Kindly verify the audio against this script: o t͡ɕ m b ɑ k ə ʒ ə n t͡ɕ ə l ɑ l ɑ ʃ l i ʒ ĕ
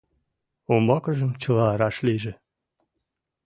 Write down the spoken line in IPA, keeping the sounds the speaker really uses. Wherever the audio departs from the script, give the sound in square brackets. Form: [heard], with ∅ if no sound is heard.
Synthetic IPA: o [∅] m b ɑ k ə ʒ ə [m] t͡ɕ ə l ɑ [ɾ] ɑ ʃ l i ʒ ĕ